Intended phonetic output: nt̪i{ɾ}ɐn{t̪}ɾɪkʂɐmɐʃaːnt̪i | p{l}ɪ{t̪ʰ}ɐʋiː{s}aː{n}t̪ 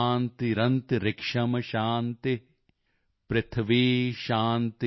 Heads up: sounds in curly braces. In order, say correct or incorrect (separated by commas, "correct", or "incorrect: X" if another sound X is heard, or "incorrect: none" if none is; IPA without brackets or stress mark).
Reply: correct, correct, incorrect: ɾ, correct, incorrect: ʃ, correct